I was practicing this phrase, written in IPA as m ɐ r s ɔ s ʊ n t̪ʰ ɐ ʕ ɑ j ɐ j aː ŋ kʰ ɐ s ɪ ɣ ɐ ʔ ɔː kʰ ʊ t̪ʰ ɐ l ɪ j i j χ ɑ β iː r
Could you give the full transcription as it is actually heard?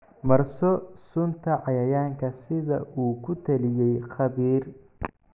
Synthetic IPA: m ɐ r s ɔ s ʊ n t̪ʰ ɐ ʕ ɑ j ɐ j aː ŋ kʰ ɐ s ɪ ð ɐ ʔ uː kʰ ʊ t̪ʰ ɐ l ɪ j ɛ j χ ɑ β iː r